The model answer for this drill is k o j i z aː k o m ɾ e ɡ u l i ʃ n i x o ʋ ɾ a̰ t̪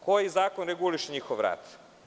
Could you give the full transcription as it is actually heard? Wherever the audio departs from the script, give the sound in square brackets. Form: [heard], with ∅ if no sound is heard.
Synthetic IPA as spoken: k o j i z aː k o [n] ɾ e ɡ u l i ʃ [ɲ] i x o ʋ ɾ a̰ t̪

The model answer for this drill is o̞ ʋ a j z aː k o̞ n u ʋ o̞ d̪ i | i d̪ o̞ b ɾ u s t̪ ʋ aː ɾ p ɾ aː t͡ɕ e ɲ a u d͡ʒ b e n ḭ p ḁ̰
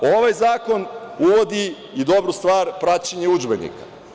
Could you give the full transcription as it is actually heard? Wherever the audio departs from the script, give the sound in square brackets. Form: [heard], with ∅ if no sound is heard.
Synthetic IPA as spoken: o̞ ʋ a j z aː k o̞ n u ʋ o̞ d̪ i | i d̪ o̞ b ɾ u s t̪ ʋ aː ɾ p ɾ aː t͡ɕ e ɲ [e] u d͡ʒ b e n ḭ [k] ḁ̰

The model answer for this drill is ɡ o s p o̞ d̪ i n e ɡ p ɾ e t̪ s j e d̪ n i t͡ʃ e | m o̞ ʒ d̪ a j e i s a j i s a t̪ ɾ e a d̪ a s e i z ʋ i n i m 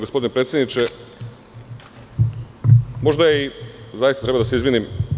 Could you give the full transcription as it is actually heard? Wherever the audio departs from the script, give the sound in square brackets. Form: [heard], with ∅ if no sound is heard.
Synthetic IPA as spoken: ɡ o s p o̞ d̪ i n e [∅] p ɾ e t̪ s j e d̪ n i t͡ʃ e | m o̞ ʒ d̪ a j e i [z] a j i s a t̪ ɾ e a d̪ a s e i z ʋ i n i m

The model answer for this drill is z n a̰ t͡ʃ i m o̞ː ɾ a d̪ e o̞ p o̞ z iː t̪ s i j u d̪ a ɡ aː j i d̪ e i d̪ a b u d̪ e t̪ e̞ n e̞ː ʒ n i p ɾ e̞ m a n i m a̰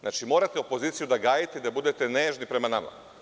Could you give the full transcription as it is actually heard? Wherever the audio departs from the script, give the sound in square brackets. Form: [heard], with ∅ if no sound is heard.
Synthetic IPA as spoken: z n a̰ t͡ʃ i m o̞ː ɾ a [t̪] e o̞ p o̞ z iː t̪ s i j u d̪ a ɡ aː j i [t̪] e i d̪ a b u d̪ e t̪ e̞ n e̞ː ʒ n i p ɾ e̞ m a n [a] m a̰

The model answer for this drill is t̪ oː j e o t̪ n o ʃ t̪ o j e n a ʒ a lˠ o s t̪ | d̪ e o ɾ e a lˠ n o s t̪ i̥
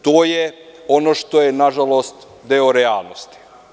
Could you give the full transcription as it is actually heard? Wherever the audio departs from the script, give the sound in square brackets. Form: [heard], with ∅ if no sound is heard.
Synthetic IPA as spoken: t̪ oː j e o [∅] n o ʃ t̪ o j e n a ʒ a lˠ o s t̪ | d̪ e o ɾ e a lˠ n o s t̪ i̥

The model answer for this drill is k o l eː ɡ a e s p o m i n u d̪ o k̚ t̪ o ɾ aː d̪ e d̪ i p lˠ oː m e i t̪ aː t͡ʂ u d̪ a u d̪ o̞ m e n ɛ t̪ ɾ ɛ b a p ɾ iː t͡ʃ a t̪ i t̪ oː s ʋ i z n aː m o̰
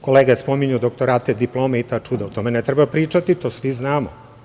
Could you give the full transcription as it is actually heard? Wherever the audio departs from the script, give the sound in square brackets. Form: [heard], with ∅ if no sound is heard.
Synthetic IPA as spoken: k o l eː ɡ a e s p o m i [ɲ] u d̪ o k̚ t̪ o ɾ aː [t̪] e d̪ i p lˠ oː m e i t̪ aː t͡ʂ u d̪ a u [t̪] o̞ m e n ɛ t̪ ɾ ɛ b a p ɾ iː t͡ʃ a t̪ i t̪ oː s ʋ i z n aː m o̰

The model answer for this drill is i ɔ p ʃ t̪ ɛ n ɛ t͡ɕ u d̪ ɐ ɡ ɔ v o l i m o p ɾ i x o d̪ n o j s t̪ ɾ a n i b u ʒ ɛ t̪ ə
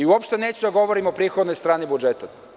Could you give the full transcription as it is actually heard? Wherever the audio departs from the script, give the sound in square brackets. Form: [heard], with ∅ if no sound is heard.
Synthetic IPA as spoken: i ɔ p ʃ t̪ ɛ n ɛ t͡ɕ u d̪ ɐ ɡ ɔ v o [ɾ] i m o p ɾ i x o d̪ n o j s t̪ ɾ a n i b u [d͡ʒ] ɛ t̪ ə

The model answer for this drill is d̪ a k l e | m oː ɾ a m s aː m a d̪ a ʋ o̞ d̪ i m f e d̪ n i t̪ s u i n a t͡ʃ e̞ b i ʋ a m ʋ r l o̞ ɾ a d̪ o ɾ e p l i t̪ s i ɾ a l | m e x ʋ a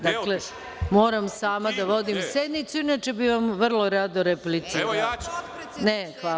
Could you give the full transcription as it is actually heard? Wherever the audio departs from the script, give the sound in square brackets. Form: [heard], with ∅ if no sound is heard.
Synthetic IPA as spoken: d̪ a k l e | m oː ɾ a m s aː m a d̪ a ʋ o̞ d̪ i m [s] e d̪ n i t̪ s u i n a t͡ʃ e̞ b i ʋ a m ʋ r l o̞ ɾ a d̪ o ɾ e p l i t̪ s i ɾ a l | [n] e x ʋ a

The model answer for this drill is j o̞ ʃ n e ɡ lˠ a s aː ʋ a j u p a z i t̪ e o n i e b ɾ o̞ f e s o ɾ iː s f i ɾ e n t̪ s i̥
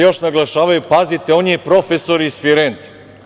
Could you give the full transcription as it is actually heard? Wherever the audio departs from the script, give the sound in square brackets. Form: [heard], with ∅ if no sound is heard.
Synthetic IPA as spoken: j o̞ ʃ n [a] ɡ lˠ a [ʃ] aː ʋ a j u p a z i t̪ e o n i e [p] ɾ o̞ f e s o ɾ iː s f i ɾ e n t̪ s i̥

